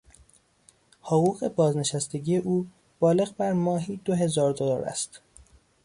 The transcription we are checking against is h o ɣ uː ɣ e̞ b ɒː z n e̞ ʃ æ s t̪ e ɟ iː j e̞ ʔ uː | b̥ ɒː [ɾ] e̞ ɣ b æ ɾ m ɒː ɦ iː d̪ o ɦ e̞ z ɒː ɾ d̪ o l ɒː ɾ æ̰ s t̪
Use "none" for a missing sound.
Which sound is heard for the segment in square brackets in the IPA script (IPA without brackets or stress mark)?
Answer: l